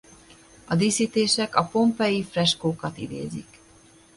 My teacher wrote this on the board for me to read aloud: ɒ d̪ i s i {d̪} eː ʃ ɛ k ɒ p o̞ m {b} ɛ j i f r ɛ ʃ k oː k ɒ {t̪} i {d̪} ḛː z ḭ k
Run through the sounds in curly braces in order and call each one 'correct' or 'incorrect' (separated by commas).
incorrect, incorrect, correct, correct